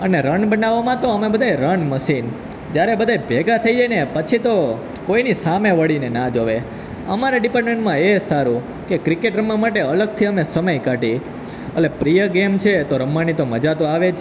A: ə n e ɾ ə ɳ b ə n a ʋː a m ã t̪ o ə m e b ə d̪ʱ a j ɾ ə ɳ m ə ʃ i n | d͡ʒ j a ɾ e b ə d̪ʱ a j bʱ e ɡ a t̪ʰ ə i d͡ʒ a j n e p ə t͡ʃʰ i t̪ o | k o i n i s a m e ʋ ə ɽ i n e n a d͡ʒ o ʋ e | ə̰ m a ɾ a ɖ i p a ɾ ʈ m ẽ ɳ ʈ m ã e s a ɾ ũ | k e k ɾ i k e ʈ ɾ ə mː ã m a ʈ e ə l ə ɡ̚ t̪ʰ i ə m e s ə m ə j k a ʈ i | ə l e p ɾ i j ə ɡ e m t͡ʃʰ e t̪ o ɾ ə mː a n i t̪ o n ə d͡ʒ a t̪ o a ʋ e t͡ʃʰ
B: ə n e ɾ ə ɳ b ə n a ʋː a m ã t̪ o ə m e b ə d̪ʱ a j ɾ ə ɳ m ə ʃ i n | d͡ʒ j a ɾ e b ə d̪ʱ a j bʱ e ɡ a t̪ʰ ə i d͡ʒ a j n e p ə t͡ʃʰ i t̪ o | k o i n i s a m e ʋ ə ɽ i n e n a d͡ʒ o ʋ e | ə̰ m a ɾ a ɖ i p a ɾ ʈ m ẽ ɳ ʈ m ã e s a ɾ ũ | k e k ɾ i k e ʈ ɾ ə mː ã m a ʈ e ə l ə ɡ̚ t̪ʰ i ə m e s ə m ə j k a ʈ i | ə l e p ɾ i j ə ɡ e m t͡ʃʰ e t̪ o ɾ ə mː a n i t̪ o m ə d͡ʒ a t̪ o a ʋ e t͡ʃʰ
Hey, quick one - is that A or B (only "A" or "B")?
B